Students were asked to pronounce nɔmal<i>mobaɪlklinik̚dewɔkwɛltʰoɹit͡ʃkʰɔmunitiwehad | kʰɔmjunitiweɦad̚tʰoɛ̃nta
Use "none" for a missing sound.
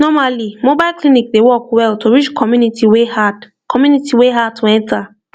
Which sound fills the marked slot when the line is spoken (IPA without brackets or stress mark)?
i